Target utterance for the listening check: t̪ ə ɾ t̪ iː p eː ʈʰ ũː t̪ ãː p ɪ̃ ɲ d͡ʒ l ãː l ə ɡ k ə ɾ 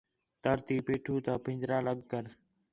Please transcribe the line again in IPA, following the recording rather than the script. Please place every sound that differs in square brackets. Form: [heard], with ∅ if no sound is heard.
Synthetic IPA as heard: t̪ ə ɾ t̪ iː p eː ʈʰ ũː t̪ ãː p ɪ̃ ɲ d͡ʒ [ɾ] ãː l ə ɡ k ə ɾ